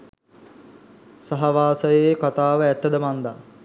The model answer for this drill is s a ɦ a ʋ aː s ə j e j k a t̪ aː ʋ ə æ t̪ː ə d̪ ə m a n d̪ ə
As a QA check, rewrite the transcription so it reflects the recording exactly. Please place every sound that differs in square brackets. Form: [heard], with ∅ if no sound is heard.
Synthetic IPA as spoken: s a ɦ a ʋ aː s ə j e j k a t̪ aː ʋ ə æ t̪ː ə d̪ ə m a n d̪ [a]